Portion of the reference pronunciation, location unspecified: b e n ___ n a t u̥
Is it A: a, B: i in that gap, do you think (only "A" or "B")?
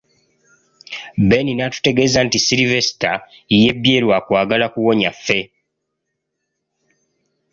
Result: B